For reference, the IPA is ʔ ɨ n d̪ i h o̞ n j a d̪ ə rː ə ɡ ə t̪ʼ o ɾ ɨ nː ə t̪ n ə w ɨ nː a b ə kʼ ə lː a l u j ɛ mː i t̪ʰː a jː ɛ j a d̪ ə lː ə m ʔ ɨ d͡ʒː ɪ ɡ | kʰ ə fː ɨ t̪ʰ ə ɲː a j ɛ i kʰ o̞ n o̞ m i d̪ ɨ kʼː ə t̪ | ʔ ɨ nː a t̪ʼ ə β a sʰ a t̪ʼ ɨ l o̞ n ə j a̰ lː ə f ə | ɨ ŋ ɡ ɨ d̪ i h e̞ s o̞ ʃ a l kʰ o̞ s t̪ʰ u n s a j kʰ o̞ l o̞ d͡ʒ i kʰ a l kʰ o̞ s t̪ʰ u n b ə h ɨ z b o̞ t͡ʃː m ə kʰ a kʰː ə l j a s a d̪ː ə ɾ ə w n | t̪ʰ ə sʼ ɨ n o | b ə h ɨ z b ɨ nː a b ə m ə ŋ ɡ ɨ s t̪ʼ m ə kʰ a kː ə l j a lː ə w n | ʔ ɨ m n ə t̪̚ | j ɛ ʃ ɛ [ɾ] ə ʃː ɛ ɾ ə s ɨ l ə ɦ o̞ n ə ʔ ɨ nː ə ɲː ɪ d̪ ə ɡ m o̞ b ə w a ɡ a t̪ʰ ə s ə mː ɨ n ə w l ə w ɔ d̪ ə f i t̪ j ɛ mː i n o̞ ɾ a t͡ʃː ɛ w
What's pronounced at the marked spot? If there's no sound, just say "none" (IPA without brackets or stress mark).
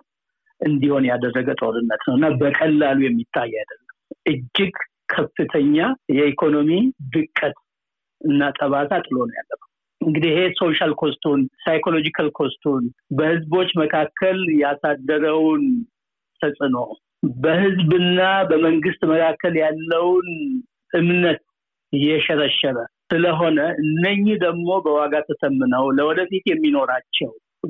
ɾ